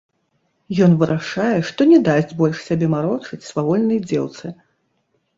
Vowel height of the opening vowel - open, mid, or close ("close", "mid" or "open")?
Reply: mid